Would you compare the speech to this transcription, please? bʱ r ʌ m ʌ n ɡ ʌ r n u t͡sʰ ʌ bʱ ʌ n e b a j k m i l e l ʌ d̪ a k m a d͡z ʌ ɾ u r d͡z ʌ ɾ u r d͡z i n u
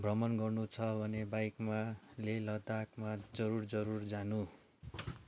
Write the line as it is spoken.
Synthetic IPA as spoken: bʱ r ʌ m ʌ n ɡ ʌ r n u t͡sʰ ʌ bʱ ʌ n e b a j k m a l e l ʌ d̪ a k m a d͡z ʌ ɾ u r d͡z ʌ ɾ u r d͡z a n u